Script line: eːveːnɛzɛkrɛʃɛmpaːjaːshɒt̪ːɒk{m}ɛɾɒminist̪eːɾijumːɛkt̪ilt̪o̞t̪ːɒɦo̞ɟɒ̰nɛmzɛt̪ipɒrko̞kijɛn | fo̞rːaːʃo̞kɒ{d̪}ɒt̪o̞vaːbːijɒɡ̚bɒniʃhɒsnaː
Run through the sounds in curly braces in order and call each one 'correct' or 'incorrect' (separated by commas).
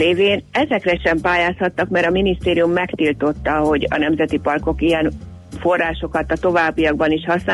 correct, incorrect